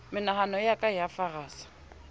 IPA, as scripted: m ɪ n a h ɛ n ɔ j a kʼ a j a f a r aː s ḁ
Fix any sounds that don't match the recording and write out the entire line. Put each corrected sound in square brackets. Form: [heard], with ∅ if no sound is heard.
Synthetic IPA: m ɪ n a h [a] n ɔ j a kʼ a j a f a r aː s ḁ